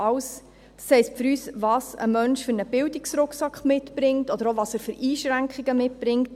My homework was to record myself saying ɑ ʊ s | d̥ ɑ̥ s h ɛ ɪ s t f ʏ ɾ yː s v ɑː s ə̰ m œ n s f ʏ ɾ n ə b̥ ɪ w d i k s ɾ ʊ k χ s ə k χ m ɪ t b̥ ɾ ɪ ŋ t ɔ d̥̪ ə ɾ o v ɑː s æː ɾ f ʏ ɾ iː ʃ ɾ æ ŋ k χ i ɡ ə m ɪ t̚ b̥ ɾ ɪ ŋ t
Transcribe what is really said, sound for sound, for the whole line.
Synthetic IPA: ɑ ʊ s | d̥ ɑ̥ s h ɛ ɪ s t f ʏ ɾ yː s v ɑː s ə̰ m œ n ʃ f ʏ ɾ n ə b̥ ɪ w d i k s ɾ ʊ k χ s ɑ k χ m ɪ t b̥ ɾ ɪ ŋ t ɔ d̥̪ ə ɾ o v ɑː s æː ɾ f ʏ ɾ iː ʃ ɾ æ ŋ k χ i ɡ ə m ɪ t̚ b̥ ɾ ɪ ŋ t